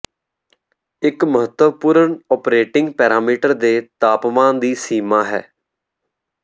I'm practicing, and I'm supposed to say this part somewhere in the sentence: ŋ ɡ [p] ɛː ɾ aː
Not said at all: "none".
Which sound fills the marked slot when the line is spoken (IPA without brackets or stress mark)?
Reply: p